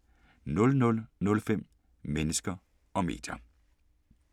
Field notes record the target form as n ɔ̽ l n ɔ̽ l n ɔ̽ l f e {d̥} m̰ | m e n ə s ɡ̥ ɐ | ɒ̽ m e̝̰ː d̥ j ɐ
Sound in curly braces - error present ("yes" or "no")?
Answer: yes